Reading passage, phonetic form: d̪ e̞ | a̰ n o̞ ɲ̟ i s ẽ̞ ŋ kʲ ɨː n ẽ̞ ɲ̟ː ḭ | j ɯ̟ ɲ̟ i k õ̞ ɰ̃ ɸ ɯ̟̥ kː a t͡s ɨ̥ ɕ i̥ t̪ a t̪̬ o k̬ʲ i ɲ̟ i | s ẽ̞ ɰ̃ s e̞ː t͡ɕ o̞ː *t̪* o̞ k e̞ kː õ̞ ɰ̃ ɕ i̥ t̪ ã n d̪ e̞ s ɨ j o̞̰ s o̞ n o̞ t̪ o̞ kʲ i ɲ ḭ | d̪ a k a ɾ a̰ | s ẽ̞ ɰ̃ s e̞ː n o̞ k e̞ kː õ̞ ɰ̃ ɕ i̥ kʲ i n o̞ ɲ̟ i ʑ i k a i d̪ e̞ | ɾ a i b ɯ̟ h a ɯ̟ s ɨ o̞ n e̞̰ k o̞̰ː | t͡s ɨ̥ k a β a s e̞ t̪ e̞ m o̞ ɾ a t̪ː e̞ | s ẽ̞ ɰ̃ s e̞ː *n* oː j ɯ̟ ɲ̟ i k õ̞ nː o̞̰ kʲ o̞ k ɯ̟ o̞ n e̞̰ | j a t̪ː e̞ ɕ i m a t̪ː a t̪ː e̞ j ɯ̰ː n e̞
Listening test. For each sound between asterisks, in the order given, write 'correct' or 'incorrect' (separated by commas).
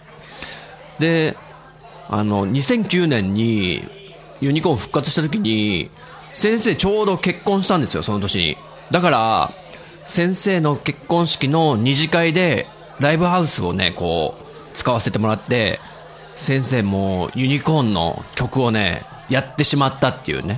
incorrect, incorrect